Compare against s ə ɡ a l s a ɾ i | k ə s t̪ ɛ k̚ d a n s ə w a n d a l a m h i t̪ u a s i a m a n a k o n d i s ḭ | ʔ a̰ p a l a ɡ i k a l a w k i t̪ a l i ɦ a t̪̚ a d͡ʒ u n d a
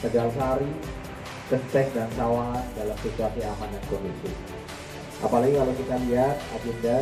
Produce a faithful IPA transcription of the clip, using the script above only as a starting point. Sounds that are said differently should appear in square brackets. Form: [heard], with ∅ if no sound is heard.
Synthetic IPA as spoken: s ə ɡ a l s a ɾ i | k ə s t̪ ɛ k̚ d a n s [a] w a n d a l a m [s] i t̪ u a s i a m a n a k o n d i s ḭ | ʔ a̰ p a l a ɡ i k a l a w k i t̪ a l i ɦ a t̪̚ a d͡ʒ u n d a

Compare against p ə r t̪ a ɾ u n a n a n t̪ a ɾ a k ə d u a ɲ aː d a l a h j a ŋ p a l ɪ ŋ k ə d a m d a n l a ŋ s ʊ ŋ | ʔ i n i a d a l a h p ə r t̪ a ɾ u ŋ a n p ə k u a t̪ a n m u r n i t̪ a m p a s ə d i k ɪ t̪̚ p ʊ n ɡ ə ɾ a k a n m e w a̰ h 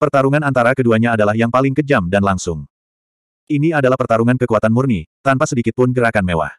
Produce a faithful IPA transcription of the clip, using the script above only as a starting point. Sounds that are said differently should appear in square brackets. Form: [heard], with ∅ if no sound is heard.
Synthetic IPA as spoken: p ə r t̪ a ɾ u [ŋ] a n a n t̪ a ɾ a k ə d u a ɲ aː d a l a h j a ŋ p a l ɪ ŋ k ə [d͡ʒ] a m d a n l a ŋ s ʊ ŋ | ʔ i n i a d a l a h p ə r t̪ a ɾ u ŋ a n [k] ə k u a t̪ a n m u r n i t̪ a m p a s ə d i k ɪ t̪̚ p ʊ n ɡ ə ɾ a k a n m e w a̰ h

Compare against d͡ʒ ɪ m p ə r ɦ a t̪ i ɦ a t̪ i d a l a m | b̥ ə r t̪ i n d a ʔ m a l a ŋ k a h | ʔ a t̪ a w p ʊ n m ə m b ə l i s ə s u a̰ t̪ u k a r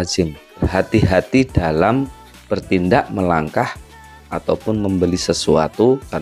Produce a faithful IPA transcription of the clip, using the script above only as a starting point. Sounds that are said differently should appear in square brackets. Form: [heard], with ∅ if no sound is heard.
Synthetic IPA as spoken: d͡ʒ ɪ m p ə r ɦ a t̪ i ɦ a t̪ i d a l a m | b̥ ə r t̪ i n d a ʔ m [ə] l a ŋ k a h | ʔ a t̪ a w p ʊ n m ə m b ə l i s ə s u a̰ t̪ u k a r

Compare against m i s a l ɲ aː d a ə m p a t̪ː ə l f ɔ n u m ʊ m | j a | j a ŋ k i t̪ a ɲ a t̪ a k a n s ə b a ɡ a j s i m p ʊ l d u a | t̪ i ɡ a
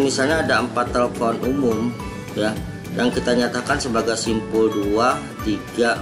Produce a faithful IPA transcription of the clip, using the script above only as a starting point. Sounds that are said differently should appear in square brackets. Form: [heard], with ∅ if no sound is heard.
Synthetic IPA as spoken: m i s a l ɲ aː d a ə m p a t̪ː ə l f ɔ n u m ʊ m | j a | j a ŋ k i t̪ a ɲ a t̪ a k a n s ə b a ɡ a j s i m p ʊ l d u a | t̪ i ɡ a

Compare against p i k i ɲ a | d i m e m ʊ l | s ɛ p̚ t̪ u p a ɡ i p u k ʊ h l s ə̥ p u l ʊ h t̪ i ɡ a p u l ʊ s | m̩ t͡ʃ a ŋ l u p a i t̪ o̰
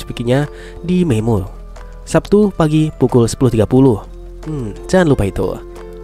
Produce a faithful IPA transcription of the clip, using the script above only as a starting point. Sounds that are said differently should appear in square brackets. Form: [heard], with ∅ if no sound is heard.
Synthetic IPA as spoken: p i k i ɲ a | d i m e m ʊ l | s [a] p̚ t̪ u p a ɡ i p u k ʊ [∅] l s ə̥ p u l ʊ h t̪ i ɡ a p u l ʊ [h] | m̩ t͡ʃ a [n] l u p a i t̪ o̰

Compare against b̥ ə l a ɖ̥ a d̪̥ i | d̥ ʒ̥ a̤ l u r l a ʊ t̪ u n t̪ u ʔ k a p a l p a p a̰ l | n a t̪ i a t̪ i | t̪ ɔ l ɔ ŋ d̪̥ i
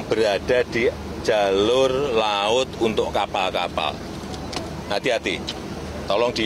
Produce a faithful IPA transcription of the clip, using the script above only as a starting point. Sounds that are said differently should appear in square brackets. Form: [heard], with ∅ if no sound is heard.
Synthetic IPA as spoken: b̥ ə [ɾ] a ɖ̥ a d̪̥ i | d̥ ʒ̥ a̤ l [ʊ] r l a ʊ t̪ u n t̪ [ʊ] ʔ k a p a l [k] a p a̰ l | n a t̪ i a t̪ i | t̪ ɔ l ɔ ŋ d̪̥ i

